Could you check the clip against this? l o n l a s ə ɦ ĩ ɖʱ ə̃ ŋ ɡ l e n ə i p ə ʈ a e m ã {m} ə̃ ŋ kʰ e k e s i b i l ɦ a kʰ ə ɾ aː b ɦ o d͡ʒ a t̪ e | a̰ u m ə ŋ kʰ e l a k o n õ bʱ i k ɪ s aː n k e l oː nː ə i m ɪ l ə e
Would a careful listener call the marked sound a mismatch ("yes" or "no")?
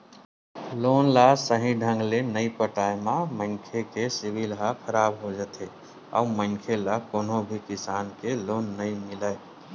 no